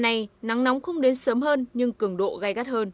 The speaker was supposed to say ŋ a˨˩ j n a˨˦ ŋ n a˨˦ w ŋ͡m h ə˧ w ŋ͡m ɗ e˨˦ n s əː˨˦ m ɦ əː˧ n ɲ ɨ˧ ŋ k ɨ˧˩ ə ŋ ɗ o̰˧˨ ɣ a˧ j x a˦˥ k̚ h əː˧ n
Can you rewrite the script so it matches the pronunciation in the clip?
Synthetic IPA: n a˨˩ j n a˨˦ ŋ n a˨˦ w ŋ͡m x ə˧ w ŋ͡m ɗ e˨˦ n s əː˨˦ m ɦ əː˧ n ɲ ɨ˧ ŋ k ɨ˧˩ ə ŋ ɗ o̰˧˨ ɣ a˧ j ɣ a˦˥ t̚ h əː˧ n

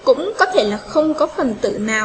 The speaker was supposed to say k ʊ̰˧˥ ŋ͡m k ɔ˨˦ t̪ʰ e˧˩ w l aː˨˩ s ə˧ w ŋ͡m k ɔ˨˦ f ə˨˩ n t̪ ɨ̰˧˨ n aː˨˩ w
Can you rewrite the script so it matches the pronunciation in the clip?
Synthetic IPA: k ʊ̰˧˥ ŋ͡m k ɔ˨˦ t̪ʰ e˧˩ l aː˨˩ x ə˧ w ŋ͡m k ɔ˨˦ f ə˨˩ n t̪ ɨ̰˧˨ n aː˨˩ w

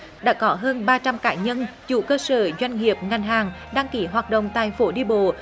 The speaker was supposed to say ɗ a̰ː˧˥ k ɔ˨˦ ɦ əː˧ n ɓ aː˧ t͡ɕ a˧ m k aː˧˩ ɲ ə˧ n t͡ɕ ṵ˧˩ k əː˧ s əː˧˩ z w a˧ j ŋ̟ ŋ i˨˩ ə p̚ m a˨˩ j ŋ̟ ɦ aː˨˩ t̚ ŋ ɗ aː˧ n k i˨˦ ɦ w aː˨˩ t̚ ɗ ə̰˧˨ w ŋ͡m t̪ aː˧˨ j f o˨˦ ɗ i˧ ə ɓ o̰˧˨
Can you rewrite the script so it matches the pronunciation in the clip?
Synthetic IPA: ɗ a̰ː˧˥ k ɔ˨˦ ɦ əː˧ n ɓ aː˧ t͡ɕ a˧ m k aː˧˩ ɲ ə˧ n t͡ɕ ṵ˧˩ k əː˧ s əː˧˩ z w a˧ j ŋ̟ ŋ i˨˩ ə p̚ ŋ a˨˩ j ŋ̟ ɦ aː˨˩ ŋ ɗ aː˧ ŋ k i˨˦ ɦ w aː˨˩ t̚ ɗ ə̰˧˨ w ŋ͡m t̪ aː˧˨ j f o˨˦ ɗ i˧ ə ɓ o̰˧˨

